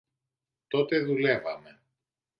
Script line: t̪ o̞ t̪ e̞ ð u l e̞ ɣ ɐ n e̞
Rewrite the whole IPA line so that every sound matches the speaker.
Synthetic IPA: t̪ o̞ t̪ e̞ ð u l e̞ v ɐ m e̞